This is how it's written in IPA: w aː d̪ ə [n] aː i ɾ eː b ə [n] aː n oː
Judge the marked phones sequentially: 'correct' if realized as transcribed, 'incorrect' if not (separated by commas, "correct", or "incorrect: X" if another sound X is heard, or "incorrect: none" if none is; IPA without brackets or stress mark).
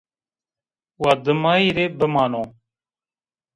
incorrect: m, incorrect: m